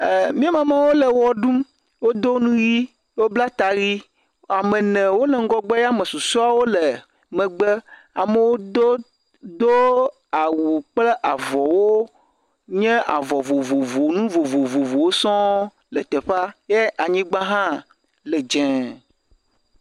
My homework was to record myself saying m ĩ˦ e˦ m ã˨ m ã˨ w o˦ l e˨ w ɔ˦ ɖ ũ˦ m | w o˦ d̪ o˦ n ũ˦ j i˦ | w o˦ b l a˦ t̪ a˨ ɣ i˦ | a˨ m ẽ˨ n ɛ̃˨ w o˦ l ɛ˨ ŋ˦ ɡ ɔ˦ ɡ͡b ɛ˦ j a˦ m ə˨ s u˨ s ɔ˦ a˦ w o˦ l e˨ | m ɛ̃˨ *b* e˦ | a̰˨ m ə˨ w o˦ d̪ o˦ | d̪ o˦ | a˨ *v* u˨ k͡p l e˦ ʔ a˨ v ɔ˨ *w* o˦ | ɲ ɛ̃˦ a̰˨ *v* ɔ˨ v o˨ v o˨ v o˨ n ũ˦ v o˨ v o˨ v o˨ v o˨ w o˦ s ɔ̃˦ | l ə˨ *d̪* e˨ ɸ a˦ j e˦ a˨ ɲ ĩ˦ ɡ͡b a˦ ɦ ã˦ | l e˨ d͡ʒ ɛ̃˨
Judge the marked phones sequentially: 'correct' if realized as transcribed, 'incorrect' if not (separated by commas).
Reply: incorrect, incorrect, correct, correct, incorrect